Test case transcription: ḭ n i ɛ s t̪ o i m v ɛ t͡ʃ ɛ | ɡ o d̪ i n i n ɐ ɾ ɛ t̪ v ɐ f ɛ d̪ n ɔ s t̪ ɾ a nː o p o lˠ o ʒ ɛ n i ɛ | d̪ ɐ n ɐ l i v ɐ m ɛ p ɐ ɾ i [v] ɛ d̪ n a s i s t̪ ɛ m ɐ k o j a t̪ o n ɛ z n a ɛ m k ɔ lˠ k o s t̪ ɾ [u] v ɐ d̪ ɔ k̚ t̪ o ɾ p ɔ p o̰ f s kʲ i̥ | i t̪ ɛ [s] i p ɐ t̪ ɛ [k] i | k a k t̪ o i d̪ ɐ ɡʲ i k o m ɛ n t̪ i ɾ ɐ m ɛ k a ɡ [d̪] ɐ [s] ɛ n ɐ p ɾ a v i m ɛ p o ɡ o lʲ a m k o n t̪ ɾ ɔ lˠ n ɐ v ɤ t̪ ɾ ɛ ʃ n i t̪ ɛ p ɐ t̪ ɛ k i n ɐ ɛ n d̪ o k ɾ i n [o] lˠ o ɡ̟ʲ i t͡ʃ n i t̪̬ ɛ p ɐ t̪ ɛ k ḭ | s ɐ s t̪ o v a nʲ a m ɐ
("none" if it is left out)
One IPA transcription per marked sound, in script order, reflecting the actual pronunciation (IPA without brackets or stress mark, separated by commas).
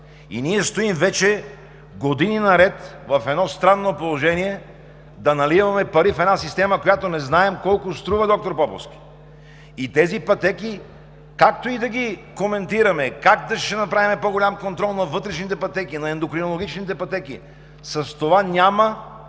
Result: f, u, z, k, d̪, ʃ, o